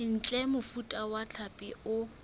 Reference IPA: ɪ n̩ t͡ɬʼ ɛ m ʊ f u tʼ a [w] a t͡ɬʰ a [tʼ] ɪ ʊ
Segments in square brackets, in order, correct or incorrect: correct, incorrect

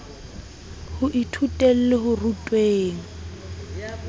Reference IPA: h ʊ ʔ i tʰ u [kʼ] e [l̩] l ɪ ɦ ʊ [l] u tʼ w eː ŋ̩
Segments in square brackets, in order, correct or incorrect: incorrect, correct, incorrect

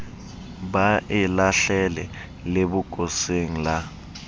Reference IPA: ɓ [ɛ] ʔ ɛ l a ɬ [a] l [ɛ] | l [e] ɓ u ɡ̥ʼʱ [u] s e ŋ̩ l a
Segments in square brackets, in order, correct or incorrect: incorrect, incorrect, correct, correct, incorrect

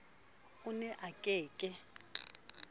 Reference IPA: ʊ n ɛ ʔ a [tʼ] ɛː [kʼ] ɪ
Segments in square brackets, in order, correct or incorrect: incorrect, correct

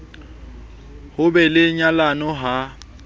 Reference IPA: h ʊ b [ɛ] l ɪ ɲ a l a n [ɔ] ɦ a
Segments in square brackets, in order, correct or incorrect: correct, correct

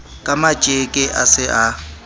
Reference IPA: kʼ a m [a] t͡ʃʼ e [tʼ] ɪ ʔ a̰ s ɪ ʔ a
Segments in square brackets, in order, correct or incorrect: correct, incorrect

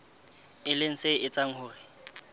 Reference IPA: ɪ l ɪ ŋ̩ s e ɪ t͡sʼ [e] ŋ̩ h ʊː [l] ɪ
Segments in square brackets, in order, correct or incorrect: incorrect, incorrect

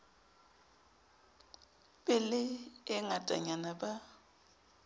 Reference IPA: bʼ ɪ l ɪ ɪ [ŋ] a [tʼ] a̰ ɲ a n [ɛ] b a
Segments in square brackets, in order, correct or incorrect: correct, correct, incorrect

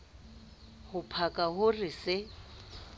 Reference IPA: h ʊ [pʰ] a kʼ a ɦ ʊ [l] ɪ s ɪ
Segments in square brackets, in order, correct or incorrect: correct, incorrect

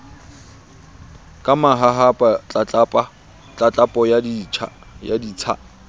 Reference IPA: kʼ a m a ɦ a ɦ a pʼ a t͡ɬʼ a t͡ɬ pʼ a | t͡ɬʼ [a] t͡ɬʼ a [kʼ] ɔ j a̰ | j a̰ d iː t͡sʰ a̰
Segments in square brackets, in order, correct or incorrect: correct, incorrect

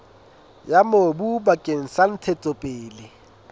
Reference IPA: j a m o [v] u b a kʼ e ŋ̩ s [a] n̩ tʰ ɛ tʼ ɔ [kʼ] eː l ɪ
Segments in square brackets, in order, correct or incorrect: incorrect, correct, incorrect

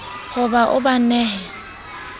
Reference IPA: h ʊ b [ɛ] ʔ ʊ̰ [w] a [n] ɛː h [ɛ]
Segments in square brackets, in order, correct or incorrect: incorrect, incorrect, correct, correct

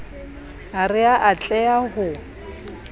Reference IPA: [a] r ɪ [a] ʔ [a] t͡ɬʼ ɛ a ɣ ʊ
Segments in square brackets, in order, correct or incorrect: correct, correct, correct

